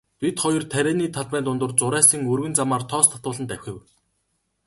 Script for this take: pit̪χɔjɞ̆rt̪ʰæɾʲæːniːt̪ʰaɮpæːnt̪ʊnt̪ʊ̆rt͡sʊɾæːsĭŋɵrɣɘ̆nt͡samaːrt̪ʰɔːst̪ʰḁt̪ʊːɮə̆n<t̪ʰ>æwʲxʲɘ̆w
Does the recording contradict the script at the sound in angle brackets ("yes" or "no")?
yes